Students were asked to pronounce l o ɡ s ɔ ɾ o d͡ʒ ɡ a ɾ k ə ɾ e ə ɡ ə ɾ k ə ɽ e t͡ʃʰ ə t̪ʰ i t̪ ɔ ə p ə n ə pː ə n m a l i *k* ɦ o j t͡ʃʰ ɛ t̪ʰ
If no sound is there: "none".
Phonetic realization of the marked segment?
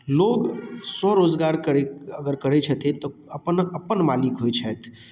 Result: k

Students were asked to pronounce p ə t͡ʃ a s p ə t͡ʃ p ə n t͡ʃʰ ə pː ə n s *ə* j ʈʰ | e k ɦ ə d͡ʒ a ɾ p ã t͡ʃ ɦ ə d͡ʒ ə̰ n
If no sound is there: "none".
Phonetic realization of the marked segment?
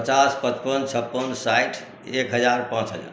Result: a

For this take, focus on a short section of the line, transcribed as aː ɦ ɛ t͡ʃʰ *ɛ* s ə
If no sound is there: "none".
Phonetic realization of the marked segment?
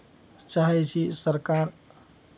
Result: i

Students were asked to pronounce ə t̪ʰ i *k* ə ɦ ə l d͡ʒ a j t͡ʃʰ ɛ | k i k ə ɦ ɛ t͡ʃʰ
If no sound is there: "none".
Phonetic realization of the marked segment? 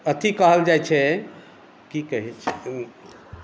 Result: k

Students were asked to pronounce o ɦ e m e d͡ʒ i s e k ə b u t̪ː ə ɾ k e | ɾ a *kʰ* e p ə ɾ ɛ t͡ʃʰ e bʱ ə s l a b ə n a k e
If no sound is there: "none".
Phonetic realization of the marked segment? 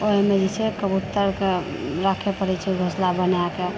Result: kʰ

